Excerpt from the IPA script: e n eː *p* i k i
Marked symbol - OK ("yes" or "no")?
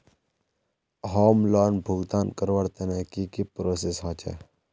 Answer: no